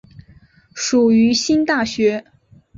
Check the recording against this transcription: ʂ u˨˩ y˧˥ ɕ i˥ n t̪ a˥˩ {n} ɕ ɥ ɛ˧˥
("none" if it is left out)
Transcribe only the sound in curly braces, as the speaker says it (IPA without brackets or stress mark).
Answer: none